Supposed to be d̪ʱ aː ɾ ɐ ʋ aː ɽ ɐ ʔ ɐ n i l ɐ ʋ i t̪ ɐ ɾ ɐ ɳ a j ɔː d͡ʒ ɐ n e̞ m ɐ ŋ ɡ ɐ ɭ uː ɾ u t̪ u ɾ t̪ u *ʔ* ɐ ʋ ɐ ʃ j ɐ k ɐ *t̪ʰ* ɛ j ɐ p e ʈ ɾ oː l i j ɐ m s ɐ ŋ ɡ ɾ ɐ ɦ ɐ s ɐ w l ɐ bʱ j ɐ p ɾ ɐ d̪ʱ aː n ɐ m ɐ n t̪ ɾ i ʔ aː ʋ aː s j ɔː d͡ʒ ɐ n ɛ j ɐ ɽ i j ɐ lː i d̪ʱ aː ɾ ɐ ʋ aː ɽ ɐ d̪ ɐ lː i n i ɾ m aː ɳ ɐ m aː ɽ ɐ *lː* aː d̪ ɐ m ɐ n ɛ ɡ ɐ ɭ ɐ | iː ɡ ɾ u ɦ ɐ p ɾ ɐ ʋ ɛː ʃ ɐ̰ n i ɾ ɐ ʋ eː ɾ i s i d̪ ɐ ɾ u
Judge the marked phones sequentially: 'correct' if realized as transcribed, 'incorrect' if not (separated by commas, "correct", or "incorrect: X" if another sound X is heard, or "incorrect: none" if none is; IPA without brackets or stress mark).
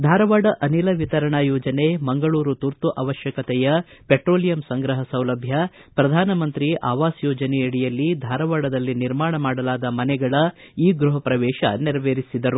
correct, incorrect: t̪, incorrect: l